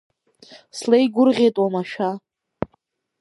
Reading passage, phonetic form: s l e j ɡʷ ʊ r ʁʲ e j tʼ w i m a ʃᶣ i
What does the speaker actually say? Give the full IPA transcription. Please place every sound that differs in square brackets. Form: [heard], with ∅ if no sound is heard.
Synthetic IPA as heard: s l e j ɡʷ ʊ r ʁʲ e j tʼ w [a] m a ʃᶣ [a]